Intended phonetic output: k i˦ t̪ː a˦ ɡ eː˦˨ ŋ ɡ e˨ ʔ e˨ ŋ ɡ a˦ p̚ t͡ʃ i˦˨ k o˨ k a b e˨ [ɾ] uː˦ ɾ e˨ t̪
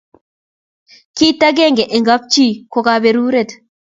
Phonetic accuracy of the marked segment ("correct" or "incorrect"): correct